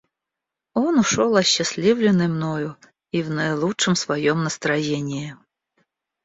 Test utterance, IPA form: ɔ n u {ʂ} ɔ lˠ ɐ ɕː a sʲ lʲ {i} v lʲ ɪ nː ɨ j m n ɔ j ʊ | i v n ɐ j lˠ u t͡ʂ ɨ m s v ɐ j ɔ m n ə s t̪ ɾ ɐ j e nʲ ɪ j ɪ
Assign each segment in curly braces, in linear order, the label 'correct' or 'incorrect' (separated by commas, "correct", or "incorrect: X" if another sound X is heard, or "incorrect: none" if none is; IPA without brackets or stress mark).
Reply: correct, correct